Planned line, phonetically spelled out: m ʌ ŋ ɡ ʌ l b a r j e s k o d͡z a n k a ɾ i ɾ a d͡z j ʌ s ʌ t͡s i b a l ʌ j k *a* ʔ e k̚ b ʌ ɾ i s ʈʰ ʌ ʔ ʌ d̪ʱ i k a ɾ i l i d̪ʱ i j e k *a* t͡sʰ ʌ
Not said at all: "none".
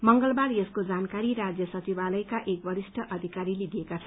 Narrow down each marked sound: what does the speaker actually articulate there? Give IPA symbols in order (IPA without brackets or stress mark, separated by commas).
a, a